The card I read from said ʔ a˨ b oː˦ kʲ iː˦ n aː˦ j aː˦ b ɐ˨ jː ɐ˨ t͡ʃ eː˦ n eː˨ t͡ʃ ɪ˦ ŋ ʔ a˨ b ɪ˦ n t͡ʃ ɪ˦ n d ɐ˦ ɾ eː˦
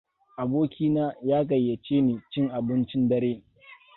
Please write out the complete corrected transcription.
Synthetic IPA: ʔ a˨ b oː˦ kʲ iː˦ n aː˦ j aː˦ ɡ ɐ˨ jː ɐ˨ t͡ʃ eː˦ n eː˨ t͡ʃ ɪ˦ ŋ ʔ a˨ b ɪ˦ n t͡ʃ ɪ˦ n d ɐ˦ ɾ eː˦